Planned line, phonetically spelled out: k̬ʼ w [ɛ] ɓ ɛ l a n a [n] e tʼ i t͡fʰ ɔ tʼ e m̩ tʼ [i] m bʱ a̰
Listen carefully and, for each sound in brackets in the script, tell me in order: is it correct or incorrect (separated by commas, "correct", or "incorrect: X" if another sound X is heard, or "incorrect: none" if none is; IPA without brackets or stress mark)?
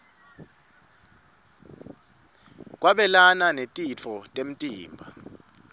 incorrect: a, correct, incorrect: iː